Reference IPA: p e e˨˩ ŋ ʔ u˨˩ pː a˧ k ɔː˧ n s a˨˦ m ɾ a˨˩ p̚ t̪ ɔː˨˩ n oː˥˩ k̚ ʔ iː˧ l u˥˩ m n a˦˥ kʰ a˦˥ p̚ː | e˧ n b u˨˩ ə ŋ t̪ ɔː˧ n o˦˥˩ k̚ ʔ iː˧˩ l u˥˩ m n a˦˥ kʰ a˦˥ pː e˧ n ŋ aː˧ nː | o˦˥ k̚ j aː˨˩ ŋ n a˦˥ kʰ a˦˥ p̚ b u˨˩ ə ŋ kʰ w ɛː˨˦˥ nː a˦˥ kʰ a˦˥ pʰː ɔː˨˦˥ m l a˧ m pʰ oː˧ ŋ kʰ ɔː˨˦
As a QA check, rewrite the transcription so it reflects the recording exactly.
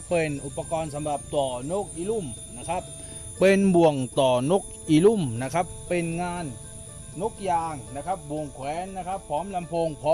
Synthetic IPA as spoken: p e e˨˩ n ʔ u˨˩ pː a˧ k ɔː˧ n s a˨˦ m ɾ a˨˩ p̚ t̪ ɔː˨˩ n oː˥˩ k̚ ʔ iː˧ l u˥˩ m n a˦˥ kʰ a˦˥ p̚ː | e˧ n b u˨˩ ə ŋ t̪ ɔː˨˩ n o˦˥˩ k̚ ʔ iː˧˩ l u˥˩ m n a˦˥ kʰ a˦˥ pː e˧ n ŋ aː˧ nː | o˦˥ k̚ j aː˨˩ ŋ n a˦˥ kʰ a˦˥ p̚ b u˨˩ ə ŋ kʰ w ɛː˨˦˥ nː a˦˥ kʰ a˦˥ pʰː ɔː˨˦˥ m l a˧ m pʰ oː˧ ŋ pʰ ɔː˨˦